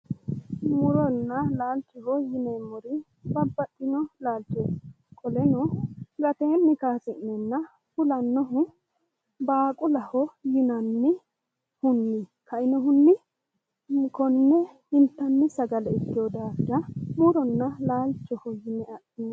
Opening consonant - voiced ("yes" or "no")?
yes